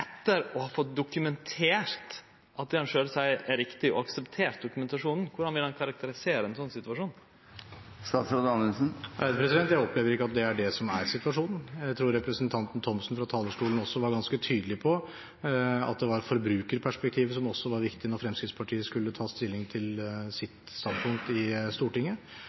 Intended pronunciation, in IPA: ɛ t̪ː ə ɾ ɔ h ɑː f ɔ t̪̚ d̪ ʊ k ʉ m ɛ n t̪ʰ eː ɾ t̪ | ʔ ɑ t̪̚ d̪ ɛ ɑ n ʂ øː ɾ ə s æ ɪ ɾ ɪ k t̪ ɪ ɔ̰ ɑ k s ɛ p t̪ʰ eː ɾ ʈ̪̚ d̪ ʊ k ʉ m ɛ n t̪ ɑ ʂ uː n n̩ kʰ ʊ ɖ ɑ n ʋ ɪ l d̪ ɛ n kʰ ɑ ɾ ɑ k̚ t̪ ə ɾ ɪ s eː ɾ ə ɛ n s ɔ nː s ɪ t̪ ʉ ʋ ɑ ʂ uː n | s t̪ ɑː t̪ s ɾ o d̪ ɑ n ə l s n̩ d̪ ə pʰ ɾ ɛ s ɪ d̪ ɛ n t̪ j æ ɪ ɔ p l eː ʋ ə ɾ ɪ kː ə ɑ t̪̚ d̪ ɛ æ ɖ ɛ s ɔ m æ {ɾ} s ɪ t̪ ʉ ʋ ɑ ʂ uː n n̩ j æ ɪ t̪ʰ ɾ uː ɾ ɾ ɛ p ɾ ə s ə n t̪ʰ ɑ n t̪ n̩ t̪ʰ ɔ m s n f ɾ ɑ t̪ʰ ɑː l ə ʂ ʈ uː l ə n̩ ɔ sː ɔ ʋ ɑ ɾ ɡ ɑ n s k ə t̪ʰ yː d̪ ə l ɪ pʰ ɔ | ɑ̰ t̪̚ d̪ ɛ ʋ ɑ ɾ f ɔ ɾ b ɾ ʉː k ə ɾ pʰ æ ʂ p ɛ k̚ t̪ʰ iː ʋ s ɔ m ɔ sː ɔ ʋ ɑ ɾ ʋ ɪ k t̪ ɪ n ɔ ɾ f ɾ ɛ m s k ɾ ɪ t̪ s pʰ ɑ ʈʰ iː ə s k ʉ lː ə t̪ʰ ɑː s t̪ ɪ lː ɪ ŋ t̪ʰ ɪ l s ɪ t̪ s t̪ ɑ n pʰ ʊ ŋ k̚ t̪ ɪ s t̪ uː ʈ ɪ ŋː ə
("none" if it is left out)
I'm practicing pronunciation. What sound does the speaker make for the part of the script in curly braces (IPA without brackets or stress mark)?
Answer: ɾ